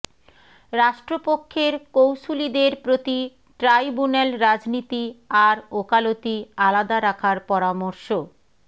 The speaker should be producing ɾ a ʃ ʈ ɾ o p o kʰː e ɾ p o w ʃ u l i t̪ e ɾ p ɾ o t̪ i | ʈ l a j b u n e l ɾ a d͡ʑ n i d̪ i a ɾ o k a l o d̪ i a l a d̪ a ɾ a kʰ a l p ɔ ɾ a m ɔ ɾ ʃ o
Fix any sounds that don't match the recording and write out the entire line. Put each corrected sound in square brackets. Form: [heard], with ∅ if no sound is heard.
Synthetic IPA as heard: ɾ a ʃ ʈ ɾ o p o kʰː e ɾ [k] o w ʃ u l i [d̪] e ɾ p ɾ o t̪ i | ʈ [ɾ] a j b u n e l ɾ a d͡ʑ n i [t̪] i a ɾ o k a l o [t̪] i a l a d̪ a ɾ a kʰ a [ɾ] p ɔ ɾ a m [o] ɾ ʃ o